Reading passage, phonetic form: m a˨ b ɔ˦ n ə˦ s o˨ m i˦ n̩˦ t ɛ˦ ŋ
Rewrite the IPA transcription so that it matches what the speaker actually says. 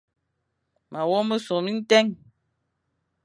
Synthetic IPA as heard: m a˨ w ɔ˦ m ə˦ s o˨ m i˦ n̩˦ t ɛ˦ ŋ